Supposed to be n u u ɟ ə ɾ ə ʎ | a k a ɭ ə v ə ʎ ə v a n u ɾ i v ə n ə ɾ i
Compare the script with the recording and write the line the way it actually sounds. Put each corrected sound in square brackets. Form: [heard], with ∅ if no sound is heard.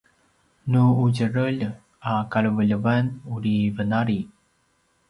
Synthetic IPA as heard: n u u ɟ ə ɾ ə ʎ | a k a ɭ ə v ə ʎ ə v a n u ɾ i v ə n [a] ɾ i